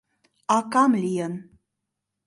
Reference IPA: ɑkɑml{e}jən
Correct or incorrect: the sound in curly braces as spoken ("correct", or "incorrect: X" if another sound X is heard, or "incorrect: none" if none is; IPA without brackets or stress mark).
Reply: incorrect: i